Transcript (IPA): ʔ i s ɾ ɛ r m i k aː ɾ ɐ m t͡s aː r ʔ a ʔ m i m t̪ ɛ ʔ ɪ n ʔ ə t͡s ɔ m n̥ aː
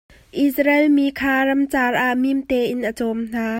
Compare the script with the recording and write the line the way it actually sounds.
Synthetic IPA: ʔ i s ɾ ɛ l m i kʰ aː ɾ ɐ m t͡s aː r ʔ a ʔ m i m t̪ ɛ ʔ ɪ n ʔ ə t͡s ɔ m n̥ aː